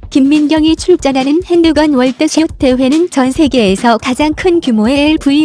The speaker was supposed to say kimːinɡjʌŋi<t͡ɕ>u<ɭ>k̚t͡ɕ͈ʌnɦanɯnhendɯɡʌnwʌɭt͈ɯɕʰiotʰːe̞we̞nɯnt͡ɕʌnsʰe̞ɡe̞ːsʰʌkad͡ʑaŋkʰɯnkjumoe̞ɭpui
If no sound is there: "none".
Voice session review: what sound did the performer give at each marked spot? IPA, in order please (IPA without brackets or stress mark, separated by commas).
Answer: t͡ɕʰ, ɭ